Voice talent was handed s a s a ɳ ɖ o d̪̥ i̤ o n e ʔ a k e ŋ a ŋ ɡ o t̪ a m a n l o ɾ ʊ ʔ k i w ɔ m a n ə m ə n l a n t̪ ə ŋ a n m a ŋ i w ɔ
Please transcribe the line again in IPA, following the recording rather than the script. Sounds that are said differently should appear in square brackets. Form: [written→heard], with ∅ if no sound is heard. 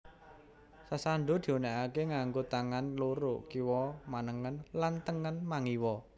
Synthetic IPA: s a s a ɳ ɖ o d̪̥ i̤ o n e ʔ a k e ŋ a ŋ ɡ o t̪ a [m→ŋ] a n l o ɾ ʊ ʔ k i w ɔ m a n ə [m→ŋ] ə n l a n t̪ ə ŋ [a→ə] n m a ŋ i w ɔ